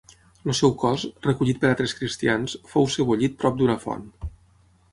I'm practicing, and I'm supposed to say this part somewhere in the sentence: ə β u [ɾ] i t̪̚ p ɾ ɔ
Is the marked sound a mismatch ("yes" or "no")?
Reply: yes